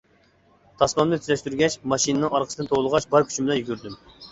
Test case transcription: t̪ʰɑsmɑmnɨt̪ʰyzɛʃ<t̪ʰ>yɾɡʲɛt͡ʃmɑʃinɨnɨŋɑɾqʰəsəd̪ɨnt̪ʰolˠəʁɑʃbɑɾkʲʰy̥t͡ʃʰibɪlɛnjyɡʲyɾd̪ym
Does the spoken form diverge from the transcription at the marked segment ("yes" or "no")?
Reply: yes